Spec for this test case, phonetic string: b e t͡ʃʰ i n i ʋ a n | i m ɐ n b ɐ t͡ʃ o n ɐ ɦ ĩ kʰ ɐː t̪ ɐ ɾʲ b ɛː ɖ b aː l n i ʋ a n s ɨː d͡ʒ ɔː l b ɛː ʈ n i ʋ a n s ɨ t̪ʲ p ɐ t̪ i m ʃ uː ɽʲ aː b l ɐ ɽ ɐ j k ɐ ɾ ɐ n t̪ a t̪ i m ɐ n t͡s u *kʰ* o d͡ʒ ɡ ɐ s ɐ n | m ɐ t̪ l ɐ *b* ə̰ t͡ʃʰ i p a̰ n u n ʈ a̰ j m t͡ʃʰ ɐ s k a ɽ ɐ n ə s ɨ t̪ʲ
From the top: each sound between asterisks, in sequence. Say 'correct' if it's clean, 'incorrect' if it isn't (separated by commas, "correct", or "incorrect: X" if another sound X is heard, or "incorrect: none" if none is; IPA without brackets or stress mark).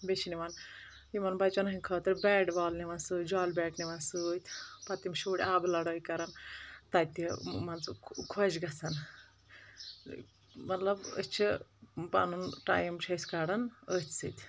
correct, correct